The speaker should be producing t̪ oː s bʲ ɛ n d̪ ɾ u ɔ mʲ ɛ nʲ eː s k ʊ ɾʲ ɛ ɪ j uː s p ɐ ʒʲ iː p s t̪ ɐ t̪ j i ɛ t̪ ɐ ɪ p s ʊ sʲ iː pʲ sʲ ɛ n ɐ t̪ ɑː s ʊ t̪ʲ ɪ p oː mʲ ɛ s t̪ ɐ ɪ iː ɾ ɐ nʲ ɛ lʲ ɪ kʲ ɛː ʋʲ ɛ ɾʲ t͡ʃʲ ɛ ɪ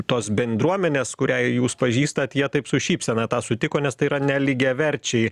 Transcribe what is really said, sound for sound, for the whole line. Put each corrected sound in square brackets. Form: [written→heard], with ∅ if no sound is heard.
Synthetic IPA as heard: t̪ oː s bʲ ɛ n d̪ ɾ u ɔ mʲ ɛ nʲ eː s k ʊ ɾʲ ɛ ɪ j uː s p ɐ ʒʲ iː [p→∅] s t̪ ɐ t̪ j i ɛ t̪ ɐ ɪ p s ʊ [sʲ→ʃʲ] iː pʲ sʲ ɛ n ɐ t̪ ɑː s ʊ t̪ʲ ɪ [p→k] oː [mʲ→nʲ] ɛ s t̪ ɐ ɪ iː ɾ ɐ nʲ ɛ lʲ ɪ [kʲ→ɡʲ] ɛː ʋʲ ɛ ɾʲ t͡ʃʲ ɛ ɪ